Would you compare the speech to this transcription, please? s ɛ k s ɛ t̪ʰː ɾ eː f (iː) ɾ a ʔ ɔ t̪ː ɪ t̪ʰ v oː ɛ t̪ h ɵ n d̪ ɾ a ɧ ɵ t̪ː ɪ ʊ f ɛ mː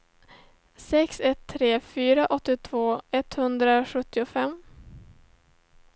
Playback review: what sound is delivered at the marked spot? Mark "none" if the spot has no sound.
yː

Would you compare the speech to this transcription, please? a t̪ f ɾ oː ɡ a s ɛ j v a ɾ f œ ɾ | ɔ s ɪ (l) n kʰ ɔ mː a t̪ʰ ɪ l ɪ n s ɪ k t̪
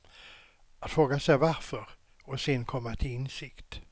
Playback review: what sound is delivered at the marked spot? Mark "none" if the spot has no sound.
none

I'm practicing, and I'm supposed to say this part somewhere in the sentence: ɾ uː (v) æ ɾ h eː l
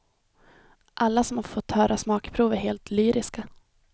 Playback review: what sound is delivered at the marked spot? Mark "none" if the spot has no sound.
v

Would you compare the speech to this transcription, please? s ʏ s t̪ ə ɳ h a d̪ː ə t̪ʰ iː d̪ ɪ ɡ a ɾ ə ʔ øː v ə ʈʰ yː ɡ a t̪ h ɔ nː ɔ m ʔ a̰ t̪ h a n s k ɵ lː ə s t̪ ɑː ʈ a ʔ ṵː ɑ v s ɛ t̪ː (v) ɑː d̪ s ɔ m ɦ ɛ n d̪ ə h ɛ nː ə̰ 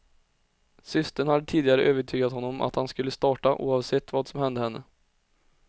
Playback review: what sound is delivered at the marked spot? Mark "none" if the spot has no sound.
v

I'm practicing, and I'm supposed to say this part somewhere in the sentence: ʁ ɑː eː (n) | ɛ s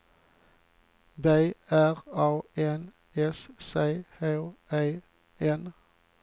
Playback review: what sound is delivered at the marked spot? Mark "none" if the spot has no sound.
n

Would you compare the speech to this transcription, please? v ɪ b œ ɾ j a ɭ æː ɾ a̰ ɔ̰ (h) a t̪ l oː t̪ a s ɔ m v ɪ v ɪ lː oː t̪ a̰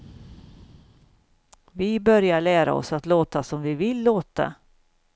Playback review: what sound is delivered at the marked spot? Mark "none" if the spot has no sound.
s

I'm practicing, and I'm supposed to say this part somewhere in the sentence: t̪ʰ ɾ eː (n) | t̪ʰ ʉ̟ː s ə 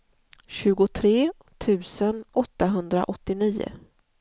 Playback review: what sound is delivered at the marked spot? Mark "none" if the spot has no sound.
none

